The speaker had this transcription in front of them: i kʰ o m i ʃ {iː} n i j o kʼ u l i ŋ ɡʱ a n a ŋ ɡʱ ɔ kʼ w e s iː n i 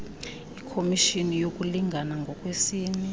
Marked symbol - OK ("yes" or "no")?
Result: no